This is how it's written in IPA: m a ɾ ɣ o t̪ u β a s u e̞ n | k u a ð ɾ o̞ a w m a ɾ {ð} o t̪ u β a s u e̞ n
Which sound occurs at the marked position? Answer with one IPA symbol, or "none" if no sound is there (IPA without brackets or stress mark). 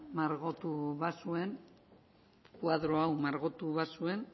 ɣ